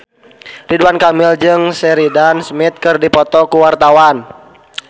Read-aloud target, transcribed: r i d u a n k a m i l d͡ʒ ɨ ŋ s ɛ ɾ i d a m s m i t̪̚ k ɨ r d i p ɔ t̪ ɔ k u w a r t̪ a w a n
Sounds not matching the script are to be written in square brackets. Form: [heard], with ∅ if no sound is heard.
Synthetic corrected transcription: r i d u a n k a m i l d͡ʒ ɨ ŋ s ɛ ɾ i d a [n] s m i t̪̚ k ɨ r d i p ɔ t̪ ɔ k u w a r t̪ a w a n